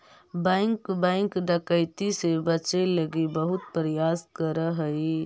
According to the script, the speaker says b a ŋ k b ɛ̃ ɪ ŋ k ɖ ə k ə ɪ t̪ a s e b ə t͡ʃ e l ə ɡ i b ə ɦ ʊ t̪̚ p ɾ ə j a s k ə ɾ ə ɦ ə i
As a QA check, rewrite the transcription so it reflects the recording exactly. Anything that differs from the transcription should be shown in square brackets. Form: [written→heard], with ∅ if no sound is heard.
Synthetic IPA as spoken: b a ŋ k b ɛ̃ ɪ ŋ k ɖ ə k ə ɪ t̪ [a→i] s e b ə t͡ʃ e l ə ɡ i b ə ɦ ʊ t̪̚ p ɾ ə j a s k ə ɾ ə ɦ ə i